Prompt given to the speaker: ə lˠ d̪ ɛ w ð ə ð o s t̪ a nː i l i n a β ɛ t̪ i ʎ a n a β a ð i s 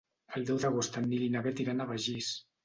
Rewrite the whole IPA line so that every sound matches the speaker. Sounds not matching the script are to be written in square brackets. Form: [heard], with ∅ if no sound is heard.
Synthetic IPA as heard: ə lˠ d̪ ɛ w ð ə [ɣ] o s t̪ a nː i l i n a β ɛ t̪ i [ɾ] a n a β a [ʒ] i s